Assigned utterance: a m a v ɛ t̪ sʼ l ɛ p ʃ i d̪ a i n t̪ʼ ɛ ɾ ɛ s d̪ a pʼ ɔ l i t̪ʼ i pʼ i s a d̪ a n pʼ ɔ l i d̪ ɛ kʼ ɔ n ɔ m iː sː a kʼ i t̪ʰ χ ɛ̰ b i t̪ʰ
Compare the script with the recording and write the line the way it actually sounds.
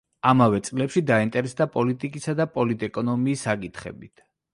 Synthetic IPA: a m a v ɛ t̪ sʼ l ɛ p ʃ i d̪ a i n t̪ʼ ɛ ɾ ɛ s d̪ a pʼ ɔ l i t̪ʼ i kʼ i s a d̪ a pʼ ɔ l i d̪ ɛ kʼ ɔ n ɔ m iː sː a kʼ i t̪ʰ χ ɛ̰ b i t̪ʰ